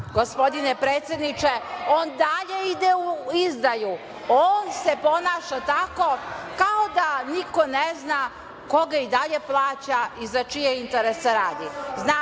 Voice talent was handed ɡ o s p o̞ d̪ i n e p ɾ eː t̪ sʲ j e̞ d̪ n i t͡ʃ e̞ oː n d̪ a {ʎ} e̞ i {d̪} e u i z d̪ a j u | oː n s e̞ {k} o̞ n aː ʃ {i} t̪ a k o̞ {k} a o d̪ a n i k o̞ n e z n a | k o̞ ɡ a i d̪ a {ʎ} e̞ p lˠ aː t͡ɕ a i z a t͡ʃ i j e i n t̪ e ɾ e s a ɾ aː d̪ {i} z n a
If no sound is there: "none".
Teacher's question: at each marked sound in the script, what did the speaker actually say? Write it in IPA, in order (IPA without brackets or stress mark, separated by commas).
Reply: ʎ, d̪, p, a, k, ʎ, i